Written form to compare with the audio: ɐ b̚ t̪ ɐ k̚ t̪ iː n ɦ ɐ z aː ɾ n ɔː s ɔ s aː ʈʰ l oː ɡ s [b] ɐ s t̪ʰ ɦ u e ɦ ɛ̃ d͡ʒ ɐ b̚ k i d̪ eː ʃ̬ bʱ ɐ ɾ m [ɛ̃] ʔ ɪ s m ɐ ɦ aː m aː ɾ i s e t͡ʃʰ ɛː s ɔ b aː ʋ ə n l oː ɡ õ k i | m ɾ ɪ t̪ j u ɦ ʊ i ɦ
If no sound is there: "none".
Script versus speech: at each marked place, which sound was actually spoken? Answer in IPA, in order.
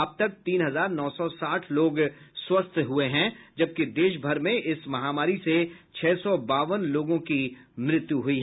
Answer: w, ẽ

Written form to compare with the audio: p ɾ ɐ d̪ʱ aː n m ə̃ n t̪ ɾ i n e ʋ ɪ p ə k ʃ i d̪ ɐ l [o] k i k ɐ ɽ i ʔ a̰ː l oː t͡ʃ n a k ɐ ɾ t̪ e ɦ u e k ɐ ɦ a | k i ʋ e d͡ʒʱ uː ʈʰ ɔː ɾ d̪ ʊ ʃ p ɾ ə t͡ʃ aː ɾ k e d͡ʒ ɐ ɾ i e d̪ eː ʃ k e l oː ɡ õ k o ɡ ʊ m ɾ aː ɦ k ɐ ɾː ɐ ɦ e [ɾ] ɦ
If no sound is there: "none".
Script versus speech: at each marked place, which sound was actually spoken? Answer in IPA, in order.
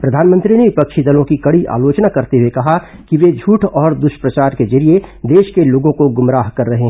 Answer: õ, none

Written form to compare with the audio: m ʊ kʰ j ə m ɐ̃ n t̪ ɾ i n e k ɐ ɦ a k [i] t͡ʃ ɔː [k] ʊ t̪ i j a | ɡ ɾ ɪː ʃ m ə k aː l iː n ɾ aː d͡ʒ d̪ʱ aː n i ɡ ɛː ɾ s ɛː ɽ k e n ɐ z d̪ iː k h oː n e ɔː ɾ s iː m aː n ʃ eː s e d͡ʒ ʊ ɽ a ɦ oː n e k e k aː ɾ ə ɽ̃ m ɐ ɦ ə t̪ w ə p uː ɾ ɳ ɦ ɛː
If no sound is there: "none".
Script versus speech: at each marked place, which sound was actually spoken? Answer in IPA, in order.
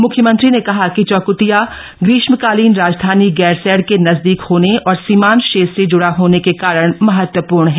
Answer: i, k

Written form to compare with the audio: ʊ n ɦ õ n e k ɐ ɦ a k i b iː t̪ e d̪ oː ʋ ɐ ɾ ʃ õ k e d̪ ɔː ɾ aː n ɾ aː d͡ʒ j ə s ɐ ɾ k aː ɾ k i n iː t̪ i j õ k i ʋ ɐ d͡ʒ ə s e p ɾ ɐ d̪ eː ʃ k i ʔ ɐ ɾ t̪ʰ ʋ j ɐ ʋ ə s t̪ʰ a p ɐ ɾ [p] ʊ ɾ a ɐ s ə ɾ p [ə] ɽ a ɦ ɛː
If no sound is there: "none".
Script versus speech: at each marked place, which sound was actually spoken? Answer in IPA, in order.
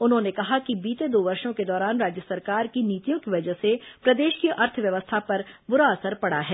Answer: b, ɐ

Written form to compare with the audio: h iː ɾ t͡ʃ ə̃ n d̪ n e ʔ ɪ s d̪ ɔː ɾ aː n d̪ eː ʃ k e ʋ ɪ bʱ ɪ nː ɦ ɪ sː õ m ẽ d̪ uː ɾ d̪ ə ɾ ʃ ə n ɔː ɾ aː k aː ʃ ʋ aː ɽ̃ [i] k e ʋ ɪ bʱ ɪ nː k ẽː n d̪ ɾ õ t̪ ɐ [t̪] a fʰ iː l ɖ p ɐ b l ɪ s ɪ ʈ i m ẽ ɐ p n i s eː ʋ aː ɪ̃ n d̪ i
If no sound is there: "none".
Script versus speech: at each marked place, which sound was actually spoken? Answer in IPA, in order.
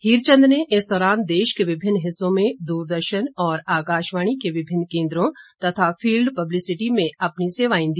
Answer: i, t̪ʰ

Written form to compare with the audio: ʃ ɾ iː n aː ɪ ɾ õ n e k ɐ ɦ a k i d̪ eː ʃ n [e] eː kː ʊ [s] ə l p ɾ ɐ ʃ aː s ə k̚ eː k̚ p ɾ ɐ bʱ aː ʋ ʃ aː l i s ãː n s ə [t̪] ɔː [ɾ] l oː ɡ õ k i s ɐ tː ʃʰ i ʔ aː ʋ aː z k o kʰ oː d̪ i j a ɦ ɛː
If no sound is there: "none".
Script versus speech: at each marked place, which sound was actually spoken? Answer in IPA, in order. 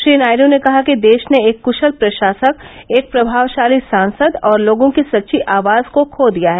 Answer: e, ʃ, d̪, ɾ

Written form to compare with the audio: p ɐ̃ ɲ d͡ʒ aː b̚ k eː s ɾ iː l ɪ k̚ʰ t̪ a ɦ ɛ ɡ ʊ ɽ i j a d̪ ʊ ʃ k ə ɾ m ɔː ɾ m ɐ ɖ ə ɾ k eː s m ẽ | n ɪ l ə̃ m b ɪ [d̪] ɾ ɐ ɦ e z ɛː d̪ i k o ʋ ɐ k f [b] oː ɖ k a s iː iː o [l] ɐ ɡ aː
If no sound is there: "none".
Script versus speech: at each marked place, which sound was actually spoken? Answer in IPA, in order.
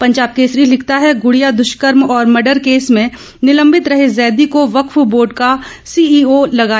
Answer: t̪, b, l

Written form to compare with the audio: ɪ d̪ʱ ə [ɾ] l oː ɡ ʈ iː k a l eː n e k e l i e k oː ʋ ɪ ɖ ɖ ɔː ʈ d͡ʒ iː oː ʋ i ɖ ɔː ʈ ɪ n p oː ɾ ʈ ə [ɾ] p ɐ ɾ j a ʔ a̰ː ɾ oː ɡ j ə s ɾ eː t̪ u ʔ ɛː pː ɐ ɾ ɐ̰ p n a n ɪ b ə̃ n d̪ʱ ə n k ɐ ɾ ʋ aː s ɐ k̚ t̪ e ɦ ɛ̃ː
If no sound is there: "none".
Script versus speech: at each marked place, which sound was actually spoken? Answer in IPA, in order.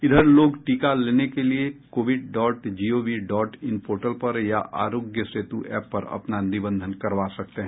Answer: ɾ, l

